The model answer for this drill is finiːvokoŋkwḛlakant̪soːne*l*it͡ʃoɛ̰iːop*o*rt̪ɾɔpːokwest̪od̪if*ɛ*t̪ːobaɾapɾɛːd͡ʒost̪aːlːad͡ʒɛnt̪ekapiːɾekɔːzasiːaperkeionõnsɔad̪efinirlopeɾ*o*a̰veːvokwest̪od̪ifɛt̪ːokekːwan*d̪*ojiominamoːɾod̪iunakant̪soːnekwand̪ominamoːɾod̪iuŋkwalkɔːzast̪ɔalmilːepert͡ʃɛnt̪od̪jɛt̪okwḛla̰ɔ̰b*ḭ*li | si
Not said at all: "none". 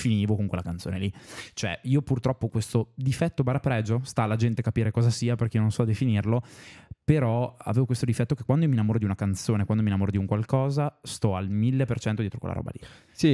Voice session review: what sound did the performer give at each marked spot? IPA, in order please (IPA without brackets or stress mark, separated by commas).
l, u, ɛ, ɔ, d̪, a̰